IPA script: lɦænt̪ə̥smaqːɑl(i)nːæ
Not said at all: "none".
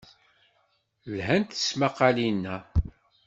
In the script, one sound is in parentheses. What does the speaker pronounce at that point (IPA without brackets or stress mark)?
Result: i